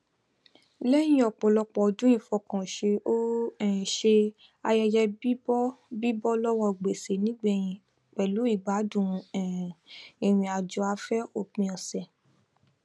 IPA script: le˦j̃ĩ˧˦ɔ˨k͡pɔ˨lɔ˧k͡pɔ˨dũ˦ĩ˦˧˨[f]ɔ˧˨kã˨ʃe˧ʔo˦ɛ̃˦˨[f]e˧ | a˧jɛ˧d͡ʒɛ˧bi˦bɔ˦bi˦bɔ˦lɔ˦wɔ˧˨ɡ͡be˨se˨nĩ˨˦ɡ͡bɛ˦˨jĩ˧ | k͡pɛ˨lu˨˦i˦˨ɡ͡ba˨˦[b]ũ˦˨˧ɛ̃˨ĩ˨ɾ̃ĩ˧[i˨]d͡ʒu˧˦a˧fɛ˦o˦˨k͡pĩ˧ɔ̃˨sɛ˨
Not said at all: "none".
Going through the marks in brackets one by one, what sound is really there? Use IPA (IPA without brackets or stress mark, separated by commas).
f, ʃ, d, a˨